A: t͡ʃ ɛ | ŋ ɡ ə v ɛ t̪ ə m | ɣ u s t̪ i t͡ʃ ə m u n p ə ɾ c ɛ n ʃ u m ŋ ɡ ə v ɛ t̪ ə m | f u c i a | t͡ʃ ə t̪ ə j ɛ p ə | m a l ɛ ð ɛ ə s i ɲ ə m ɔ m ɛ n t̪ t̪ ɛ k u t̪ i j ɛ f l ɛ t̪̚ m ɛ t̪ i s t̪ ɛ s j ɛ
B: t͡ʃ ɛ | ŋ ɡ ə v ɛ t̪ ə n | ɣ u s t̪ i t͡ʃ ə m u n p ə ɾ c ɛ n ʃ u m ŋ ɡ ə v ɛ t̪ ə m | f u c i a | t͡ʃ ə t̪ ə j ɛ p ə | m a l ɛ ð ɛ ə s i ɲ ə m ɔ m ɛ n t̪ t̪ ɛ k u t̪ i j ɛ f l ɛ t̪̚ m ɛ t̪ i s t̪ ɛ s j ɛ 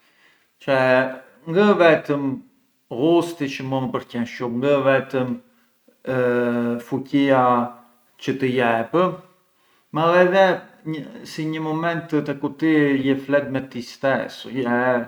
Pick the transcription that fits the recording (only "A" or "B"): A